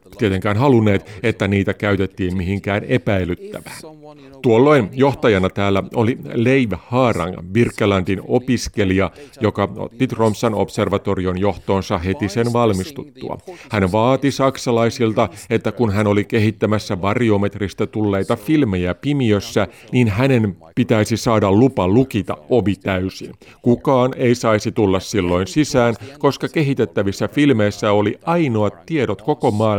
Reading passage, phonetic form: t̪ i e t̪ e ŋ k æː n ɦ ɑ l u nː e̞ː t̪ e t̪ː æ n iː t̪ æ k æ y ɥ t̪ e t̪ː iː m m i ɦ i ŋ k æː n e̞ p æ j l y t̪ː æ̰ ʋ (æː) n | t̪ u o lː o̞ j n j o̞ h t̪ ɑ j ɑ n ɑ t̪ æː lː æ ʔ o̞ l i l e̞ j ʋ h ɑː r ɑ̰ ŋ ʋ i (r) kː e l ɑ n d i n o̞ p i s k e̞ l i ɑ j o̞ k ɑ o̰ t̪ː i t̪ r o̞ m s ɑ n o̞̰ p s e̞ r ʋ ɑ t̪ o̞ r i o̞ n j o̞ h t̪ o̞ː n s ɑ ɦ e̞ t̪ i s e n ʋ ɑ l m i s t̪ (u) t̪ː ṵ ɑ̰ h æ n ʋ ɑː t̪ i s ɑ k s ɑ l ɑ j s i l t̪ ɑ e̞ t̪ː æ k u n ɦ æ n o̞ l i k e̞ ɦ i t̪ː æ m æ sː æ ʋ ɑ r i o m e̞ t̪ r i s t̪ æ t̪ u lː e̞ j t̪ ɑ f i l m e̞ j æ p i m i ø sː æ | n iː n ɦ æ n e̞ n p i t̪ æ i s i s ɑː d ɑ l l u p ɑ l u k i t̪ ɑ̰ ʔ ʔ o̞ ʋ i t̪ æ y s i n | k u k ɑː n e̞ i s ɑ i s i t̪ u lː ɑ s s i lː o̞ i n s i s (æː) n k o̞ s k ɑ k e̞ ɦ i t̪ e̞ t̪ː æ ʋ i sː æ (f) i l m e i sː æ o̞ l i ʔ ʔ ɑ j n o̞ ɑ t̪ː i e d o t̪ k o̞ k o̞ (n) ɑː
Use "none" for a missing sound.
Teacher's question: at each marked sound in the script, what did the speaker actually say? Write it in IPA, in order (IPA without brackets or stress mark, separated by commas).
æː, r, u, æː, f, m